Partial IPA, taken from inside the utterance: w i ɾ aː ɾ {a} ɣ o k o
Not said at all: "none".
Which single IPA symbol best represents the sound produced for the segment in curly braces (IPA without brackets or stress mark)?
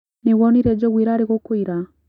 e